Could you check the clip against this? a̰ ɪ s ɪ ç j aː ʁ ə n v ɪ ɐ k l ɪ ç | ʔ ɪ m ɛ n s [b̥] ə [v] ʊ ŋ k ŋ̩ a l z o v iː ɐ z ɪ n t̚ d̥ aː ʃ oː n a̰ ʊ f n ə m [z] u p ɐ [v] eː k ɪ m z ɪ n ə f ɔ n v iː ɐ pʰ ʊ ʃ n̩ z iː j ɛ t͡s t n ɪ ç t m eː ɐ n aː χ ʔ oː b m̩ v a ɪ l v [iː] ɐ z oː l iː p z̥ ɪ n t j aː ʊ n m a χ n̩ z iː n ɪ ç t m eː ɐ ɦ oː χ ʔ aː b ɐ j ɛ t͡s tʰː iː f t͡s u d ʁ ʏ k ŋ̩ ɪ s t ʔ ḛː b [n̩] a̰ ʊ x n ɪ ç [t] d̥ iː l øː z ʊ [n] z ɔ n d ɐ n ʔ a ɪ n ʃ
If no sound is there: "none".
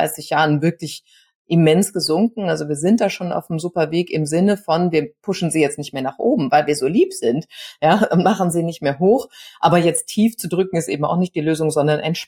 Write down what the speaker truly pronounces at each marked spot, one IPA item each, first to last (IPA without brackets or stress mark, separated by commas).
ɡ̥, z, z, v, iː, m̩, t, ŋ